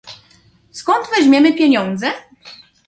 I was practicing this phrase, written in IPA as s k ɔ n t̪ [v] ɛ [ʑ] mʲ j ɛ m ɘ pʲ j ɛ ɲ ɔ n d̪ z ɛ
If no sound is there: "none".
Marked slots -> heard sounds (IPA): v, ʑ

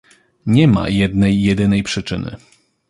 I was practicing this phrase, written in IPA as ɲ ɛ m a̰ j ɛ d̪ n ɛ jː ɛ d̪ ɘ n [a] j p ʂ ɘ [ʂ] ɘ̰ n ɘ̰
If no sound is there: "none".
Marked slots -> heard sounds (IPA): ɛ, t͡ʂ

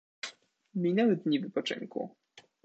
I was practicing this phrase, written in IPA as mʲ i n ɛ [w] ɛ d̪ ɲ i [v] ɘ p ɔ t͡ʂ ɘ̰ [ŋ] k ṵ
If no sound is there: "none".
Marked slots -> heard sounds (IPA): w, v, ŋ

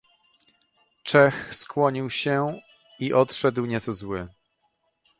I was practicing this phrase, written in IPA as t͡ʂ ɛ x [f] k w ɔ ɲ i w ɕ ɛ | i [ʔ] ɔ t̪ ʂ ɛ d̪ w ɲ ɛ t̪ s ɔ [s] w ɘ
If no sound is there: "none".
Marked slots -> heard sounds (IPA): s, ʔ, z

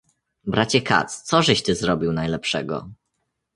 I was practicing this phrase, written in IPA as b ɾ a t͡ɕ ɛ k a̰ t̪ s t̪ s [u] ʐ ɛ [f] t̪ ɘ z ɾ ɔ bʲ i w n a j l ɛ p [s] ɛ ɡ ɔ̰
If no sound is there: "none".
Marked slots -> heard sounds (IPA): ɔ, ɕ, ʂ

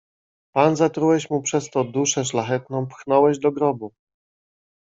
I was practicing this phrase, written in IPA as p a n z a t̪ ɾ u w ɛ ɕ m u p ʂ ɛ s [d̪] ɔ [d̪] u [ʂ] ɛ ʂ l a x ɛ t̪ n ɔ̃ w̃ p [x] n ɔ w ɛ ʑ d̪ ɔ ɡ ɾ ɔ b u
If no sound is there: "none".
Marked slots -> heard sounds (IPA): t̪, d̪, ʂ, x

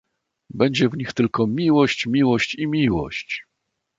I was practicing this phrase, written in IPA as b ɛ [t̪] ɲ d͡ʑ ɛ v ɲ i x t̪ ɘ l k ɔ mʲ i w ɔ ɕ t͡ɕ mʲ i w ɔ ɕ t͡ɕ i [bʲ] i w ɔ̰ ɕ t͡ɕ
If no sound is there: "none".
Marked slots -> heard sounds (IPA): none, mʲ

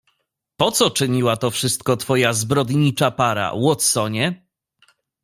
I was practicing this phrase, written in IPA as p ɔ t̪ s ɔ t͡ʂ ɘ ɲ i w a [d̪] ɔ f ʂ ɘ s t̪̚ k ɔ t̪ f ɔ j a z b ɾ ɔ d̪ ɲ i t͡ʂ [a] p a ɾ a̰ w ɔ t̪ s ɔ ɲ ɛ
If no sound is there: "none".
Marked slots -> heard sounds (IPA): t̪, a

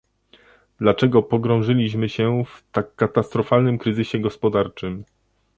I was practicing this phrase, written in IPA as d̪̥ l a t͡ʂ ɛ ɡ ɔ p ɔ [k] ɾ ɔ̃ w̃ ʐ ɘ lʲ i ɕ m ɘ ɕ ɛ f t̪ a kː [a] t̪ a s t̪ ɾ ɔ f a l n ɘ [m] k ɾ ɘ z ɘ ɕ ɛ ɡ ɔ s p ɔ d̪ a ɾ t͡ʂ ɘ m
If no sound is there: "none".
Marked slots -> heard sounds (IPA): ɡ, a, m

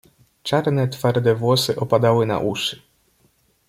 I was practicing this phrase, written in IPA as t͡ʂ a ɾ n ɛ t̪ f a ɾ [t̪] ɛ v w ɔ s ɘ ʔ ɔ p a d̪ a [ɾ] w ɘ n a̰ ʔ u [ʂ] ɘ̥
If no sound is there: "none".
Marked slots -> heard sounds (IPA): d̪, none, ʂ

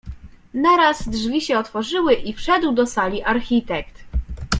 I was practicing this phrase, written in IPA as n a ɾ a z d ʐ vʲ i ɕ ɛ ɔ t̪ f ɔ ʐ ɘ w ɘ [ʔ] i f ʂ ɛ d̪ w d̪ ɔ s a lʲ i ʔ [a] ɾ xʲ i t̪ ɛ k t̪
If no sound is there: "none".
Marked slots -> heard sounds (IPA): ʔ, a

